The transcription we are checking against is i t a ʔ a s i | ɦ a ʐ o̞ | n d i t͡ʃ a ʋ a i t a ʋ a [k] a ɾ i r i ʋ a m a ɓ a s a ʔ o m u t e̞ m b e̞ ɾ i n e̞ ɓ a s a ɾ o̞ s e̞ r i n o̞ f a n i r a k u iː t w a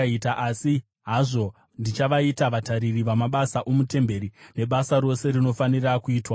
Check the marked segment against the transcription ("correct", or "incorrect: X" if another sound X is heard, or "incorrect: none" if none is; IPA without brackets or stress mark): incorrect: t